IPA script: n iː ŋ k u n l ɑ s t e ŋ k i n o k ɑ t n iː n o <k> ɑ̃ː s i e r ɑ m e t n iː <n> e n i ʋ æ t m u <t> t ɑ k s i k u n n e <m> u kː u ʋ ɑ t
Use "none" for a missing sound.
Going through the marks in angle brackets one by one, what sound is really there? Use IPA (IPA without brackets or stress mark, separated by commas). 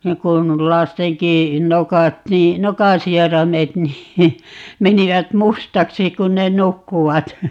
k, m, s, n